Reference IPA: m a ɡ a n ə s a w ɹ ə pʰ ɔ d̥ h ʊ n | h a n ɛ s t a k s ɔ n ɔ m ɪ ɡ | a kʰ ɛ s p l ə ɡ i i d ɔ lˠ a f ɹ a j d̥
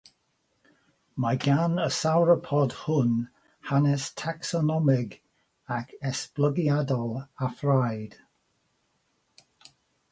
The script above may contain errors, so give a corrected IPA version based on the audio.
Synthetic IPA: m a ɡ a n ə s a w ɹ ə pʰ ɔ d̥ h ʊ n | h a n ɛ s tʰ a k s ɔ n ɔ m ɪ ɡ | a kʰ ɛ s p l ə ɡ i a d ɔ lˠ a f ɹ a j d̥